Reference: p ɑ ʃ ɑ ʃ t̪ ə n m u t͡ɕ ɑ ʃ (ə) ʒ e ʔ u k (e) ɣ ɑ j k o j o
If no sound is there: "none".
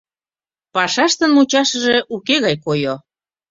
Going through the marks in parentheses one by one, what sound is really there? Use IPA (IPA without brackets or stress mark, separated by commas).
ə, e